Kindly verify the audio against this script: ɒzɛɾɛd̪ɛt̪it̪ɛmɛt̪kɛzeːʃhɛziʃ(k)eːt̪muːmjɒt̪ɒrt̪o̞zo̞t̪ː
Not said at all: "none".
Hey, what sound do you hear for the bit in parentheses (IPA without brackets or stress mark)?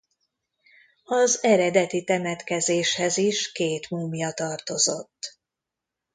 k